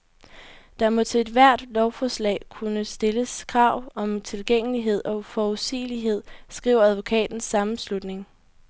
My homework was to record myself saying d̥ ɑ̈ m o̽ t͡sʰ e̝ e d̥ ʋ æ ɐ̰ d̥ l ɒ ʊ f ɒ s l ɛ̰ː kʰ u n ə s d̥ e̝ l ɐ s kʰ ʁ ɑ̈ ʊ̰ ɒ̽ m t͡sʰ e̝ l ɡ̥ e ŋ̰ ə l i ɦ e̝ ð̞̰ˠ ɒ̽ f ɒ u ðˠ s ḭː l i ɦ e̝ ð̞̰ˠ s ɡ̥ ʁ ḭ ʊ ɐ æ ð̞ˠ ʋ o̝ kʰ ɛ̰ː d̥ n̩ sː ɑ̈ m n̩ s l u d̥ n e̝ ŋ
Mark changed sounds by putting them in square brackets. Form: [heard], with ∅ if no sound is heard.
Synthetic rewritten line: d̥ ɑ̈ m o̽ t͡sʰ e̝ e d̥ ʋ æ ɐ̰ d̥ l ɒ ʊ f ɒ s l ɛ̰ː kʰ u n ə s d̥ e̝ l [ə] s kʰ ʁ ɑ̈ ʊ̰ ɒ̽ m t͡sʰ e̝ l ɡ̥ e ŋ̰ ə l i ɦ e̝ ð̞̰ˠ ɒ̽ f ɒ u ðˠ s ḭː l i ɦ e̝ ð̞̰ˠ s ɡ̥ ʁ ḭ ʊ ɐ æ ð̞ˠ ʋ o̝ kʰ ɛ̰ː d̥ n̩ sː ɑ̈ m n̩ s l u d̥ n e̝ ŋ